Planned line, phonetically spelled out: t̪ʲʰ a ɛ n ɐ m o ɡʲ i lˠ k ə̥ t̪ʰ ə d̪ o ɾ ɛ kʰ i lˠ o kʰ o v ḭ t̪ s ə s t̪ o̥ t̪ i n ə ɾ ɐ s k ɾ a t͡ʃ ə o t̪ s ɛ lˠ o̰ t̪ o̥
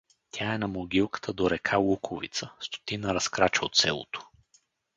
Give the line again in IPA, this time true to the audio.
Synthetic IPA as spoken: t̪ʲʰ a ɛ n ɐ m o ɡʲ i lˠ k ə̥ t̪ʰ ə d̪ o ɾ ɛ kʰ a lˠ u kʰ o v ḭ t̪ s ə s t̪ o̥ t̪ i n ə ɾ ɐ s k ɾ a t͡ʃ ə o t̪ s ɛ lˠ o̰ t̪ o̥